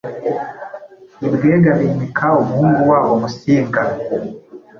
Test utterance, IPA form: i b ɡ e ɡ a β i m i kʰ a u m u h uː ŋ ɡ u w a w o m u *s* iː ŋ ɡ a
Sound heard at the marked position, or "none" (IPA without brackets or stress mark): s